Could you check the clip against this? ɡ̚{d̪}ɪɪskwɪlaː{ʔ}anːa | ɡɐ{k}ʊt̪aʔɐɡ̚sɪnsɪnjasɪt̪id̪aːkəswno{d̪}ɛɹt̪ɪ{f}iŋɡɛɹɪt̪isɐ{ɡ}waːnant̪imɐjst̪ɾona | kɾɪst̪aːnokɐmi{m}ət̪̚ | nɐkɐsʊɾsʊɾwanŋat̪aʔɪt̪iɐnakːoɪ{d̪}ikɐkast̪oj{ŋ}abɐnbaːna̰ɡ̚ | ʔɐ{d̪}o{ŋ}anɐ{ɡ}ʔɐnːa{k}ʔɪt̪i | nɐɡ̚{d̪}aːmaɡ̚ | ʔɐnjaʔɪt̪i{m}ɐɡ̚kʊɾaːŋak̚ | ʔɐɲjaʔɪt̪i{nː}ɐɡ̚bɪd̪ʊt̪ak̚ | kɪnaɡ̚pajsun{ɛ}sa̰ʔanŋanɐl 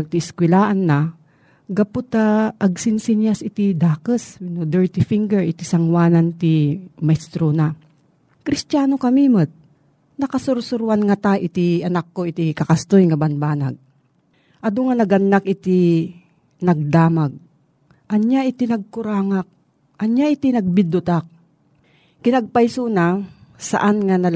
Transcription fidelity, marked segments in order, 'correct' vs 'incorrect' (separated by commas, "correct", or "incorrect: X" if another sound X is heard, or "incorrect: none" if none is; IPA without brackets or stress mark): incorrect: t̪, correct, incorrect: p, correct, correct, incorrect: ŋ, correct, incorrect: t̪, correct, correct, correct, correct, correct, correct, incorrect: n, incorrect: n, incorrect: a